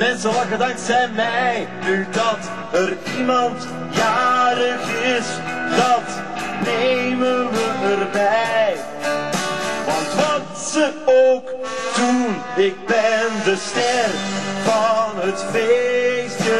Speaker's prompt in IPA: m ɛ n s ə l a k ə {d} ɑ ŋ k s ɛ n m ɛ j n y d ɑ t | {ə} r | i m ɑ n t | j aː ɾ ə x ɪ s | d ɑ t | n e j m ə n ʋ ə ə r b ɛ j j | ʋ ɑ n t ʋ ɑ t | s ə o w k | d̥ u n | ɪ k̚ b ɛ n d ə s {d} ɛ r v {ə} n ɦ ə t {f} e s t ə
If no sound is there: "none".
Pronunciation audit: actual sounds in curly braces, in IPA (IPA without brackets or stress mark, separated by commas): d, ə, t, ɑ, f